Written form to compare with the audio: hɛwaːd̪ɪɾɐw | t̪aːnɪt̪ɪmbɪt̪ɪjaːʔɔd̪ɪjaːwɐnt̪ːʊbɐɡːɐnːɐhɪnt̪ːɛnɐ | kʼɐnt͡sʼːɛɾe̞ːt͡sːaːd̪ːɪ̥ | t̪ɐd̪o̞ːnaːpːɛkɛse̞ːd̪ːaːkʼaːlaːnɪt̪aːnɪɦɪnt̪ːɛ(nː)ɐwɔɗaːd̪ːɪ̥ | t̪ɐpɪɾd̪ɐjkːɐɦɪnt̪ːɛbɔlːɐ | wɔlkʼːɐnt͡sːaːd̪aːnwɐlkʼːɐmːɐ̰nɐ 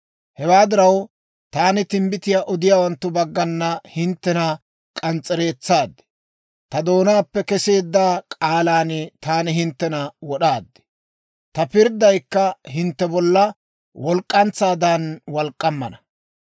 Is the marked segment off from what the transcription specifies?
yes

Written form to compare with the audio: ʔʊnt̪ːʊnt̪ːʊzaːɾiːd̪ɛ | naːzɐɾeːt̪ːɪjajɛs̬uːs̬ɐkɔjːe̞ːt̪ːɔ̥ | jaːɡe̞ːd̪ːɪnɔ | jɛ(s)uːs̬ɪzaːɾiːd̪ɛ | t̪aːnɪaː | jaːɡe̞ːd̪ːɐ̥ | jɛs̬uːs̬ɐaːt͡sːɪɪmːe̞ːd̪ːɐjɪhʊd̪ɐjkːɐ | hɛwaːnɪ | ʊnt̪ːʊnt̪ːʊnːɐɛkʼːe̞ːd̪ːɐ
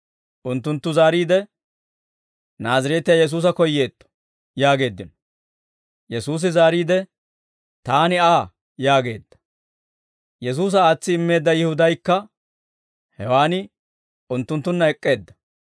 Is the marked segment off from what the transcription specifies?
no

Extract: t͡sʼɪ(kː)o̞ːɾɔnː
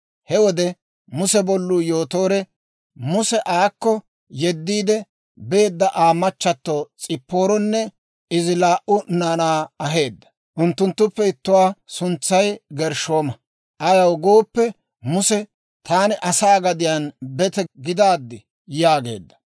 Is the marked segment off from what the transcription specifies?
yes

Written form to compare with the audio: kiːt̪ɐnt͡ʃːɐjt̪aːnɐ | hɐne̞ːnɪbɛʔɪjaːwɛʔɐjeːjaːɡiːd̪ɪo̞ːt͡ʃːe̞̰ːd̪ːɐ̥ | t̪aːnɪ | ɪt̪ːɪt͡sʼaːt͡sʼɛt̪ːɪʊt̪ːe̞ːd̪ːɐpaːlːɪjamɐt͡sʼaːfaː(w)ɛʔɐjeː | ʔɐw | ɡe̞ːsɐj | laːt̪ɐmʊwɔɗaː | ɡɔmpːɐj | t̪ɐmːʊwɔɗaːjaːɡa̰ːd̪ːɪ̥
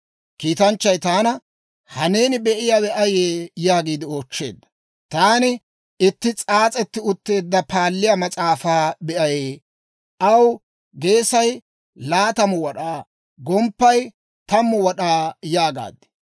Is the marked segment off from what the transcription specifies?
yes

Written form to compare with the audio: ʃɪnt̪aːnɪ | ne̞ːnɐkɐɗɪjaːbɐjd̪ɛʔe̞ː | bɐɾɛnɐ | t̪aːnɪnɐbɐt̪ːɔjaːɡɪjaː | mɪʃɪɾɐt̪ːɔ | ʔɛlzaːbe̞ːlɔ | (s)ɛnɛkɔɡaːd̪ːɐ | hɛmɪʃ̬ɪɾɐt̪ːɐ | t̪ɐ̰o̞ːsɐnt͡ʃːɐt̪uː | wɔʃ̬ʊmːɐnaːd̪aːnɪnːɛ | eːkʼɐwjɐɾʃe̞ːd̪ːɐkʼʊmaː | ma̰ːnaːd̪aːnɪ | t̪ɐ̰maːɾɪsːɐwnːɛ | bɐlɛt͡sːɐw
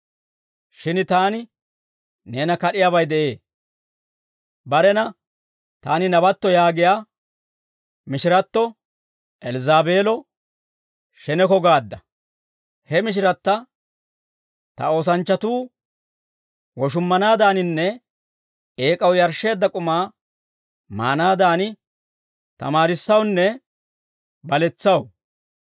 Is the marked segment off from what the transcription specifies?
yes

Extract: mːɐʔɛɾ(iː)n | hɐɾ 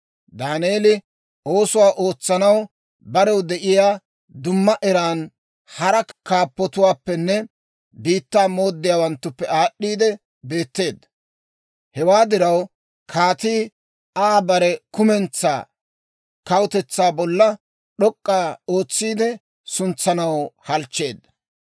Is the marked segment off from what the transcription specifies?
yes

